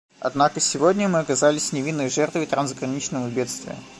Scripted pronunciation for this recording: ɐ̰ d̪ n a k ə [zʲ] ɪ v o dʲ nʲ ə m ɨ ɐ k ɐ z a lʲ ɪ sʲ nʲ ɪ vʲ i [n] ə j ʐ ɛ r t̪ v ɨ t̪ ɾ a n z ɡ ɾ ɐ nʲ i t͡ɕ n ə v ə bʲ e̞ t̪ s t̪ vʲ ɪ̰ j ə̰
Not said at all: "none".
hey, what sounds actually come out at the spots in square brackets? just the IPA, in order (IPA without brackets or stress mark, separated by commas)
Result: sʲ, nː